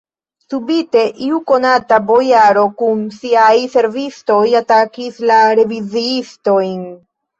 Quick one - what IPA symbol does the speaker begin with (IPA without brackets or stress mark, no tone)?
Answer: s